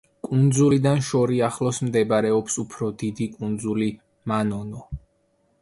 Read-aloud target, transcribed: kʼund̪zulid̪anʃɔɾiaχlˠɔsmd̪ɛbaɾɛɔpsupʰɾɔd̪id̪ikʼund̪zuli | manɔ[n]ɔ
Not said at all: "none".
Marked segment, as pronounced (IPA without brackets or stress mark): n